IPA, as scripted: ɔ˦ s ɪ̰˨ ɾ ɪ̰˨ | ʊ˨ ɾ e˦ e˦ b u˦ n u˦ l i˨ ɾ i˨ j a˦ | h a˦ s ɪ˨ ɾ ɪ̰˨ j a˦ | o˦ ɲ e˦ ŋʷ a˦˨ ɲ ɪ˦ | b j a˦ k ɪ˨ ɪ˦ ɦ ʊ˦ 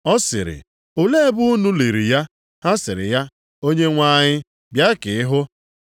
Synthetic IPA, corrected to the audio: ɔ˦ s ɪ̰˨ ɾ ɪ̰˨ | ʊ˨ l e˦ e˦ b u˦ n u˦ l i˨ ɾ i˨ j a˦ | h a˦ s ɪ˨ ɾ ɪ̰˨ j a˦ | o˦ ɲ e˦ ŋʷ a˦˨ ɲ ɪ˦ | b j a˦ k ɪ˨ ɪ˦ ɦ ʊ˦